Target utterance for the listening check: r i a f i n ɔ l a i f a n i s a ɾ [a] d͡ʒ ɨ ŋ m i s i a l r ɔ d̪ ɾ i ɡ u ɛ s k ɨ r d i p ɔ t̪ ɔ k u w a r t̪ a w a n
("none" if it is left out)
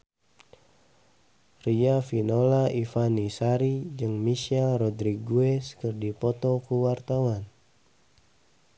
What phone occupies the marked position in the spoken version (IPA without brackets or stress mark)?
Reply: i